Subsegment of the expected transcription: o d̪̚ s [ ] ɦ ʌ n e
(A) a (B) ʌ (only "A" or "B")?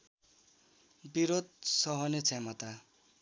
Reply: B